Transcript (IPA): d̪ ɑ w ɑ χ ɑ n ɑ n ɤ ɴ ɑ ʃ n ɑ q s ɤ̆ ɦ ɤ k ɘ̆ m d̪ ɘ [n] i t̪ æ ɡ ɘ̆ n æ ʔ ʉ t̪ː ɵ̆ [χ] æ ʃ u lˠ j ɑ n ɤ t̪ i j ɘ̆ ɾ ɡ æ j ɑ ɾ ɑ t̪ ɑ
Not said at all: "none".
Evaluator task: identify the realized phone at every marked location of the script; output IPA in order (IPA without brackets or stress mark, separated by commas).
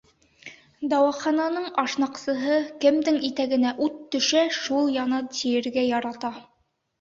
ŋ, ʃ